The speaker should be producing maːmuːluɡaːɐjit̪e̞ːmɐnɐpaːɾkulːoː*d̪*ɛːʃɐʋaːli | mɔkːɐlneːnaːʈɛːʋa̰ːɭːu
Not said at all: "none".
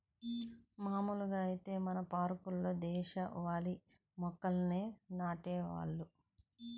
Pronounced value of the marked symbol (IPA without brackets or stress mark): d̪